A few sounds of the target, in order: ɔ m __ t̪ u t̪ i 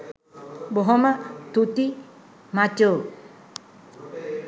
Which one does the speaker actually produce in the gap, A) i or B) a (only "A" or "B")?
B